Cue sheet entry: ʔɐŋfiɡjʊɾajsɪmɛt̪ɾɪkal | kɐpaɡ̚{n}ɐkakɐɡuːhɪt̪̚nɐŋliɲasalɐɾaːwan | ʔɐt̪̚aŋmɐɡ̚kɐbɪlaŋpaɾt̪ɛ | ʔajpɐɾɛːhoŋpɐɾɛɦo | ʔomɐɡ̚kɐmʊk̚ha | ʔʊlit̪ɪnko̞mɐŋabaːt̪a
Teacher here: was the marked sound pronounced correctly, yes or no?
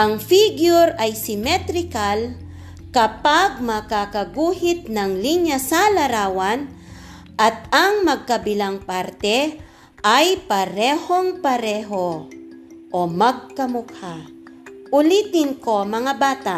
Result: no